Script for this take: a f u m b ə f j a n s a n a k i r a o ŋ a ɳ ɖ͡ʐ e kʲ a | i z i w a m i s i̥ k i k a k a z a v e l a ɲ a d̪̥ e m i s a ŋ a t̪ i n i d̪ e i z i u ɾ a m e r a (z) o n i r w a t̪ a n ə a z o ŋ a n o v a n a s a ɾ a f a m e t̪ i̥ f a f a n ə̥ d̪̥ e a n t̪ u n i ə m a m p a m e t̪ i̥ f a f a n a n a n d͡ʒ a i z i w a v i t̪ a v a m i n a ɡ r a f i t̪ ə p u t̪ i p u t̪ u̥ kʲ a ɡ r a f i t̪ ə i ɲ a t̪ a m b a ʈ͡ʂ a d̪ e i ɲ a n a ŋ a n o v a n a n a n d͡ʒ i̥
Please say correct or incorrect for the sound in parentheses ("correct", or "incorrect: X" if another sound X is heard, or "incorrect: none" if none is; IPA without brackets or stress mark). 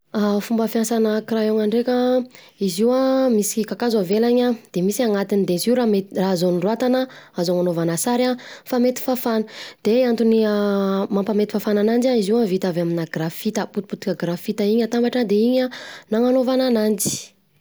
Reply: correct